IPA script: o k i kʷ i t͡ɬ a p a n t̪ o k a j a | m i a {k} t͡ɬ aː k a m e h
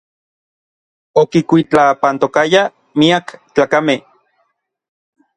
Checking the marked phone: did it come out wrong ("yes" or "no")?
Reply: no